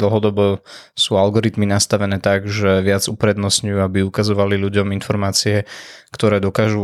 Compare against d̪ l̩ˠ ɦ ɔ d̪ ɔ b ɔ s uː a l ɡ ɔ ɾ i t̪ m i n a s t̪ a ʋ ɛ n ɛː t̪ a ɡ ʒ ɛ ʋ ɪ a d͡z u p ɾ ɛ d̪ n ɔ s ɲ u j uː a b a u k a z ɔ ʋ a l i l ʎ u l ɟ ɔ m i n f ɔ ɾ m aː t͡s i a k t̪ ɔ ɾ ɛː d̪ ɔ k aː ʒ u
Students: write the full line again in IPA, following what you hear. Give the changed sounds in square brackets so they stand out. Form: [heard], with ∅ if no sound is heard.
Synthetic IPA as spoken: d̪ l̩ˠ ɦ ɔ d̪ ɔ b ɔ s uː a l ɡ ɔ ɾ i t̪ m i n a s t̪ a ʋ ɛ n ɛː t̪ a ɡ ʒ ɛ ʋ ɪ a d͡z u p ɾ ɛ d̪ n ɔ s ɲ u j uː a b [i] u k a z ɔ ʋ a l i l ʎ u [∅] ɟ ɔ m i n f ɔ ɾ m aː t͡s i [ɛ] k t̪ ɔ ɾ ɛː d̪ ɔ k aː ʒ u